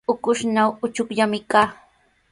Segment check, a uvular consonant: absent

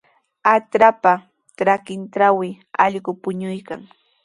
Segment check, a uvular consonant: present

